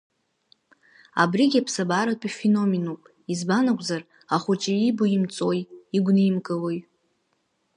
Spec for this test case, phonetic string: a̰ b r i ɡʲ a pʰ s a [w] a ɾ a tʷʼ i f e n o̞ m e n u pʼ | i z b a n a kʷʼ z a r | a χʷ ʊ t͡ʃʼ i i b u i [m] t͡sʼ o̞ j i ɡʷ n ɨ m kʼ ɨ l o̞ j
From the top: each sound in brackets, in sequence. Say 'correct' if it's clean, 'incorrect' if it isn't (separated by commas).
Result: incorrect, correct